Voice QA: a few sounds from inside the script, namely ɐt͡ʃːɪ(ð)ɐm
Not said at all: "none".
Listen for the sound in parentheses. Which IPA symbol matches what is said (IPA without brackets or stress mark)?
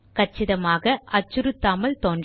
ð